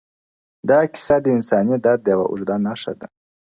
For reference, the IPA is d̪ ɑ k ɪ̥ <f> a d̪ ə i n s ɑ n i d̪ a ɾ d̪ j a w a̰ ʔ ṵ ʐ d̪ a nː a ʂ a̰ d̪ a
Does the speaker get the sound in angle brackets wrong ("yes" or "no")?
yes